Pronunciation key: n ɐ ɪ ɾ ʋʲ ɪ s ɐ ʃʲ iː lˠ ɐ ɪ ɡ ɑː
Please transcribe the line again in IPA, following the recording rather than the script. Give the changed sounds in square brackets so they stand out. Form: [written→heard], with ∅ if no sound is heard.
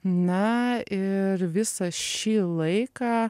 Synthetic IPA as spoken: n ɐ ɪ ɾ ʋʲ ɪ s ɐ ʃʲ iː lˠ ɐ ɪ [ɡ→k] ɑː